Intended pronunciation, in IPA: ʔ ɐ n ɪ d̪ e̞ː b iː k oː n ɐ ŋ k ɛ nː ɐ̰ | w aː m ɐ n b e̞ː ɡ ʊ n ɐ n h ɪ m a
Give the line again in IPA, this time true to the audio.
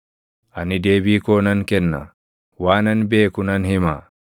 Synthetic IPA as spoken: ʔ ɐ n ɪ d̪ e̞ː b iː k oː n ɐ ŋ k ɛ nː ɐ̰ | w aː n ɐ n b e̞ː k ʊ n ɐ n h ɪ m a